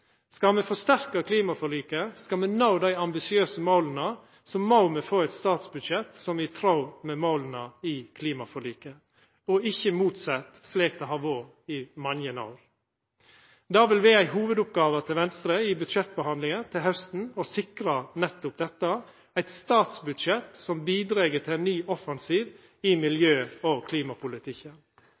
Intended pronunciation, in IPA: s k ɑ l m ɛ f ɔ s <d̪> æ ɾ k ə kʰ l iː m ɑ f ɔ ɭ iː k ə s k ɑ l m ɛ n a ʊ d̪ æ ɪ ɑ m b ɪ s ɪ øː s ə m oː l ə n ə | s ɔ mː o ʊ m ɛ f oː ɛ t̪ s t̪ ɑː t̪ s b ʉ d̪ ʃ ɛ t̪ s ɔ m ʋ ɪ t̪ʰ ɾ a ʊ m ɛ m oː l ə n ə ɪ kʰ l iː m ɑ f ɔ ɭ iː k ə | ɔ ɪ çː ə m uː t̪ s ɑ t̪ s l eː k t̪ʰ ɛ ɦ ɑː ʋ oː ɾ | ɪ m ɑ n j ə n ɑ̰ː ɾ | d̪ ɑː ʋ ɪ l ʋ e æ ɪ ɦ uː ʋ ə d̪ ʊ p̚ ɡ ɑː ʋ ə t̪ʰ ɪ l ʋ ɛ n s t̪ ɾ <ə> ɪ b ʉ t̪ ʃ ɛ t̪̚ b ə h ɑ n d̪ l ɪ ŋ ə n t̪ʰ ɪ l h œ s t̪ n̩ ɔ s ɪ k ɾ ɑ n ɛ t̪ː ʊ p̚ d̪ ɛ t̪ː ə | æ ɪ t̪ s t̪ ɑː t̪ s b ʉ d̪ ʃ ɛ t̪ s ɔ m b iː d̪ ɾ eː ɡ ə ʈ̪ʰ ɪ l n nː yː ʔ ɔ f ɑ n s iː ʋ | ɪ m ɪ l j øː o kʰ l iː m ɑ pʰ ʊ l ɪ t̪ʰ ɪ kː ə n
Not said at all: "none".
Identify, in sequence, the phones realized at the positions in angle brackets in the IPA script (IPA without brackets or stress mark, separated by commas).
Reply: t̪, ə